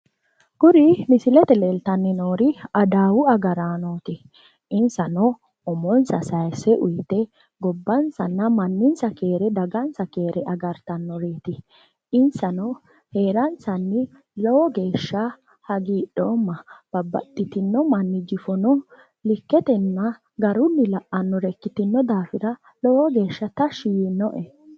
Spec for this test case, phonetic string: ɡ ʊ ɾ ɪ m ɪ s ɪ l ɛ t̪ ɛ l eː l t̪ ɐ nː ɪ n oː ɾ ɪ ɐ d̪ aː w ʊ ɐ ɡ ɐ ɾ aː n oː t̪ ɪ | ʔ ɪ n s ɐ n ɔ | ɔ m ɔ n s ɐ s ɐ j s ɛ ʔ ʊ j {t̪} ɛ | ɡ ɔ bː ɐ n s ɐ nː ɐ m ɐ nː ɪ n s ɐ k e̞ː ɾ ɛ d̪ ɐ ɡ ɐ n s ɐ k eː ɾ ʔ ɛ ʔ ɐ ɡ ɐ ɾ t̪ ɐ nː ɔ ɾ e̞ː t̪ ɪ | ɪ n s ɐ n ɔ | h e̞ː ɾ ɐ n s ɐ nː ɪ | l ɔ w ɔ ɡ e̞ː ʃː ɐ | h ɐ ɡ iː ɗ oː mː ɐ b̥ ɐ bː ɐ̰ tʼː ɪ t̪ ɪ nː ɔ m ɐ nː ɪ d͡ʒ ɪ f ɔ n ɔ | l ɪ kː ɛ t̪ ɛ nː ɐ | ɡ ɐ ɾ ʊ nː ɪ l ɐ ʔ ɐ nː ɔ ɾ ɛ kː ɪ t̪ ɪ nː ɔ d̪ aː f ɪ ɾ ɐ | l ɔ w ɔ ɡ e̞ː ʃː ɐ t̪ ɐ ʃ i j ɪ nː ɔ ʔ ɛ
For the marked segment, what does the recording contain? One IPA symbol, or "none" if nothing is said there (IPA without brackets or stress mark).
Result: t̪